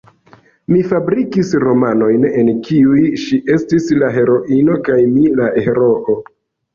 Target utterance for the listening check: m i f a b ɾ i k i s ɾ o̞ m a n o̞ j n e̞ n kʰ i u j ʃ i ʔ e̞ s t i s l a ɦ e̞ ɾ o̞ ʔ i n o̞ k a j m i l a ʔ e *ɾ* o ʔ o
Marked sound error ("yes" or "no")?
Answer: no